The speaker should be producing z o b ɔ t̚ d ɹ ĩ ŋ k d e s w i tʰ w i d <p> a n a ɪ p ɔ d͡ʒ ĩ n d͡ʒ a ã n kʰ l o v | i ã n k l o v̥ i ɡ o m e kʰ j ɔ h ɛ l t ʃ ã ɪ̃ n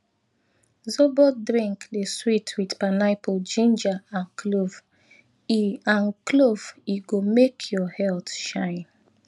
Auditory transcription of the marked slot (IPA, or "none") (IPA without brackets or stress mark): p